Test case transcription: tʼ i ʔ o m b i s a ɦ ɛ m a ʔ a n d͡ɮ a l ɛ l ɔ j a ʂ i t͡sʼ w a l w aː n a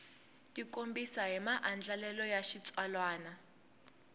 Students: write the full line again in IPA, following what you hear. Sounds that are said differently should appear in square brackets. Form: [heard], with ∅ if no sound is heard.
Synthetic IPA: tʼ i [k] o m b i s a ɦ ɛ m a ʔ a n d͡ɮ a l ɛ l ɔ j a [ʃ] i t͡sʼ w a l w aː n a